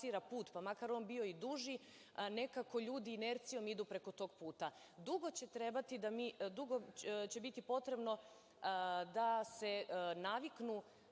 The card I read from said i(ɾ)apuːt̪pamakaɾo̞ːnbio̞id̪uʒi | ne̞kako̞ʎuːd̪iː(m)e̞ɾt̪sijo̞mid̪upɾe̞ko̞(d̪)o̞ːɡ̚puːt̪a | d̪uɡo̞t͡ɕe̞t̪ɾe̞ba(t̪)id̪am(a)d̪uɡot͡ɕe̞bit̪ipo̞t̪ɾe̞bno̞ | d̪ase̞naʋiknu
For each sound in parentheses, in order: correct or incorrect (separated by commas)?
correct, incorrect, incorrect, correct, incorrect